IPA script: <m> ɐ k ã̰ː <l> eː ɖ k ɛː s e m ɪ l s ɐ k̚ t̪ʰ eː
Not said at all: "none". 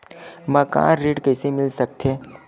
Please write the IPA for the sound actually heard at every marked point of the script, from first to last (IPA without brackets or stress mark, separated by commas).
m, ɾ